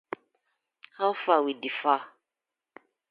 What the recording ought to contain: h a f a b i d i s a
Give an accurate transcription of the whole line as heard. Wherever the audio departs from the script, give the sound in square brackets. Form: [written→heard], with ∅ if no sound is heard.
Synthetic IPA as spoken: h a f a [b→w] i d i [s→f] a